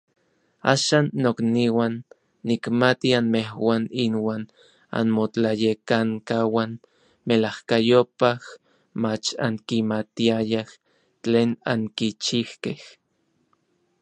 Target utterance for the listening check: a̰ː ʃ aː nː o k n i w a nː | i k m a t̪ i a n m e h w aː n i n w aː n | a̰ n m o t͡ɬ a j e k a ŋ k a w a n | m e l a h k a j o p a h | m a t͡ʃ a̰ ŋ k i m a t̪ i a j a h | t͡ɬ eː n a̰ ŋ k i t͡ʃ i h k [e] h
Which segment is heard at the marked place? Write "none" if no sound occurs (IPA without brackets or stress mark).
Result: e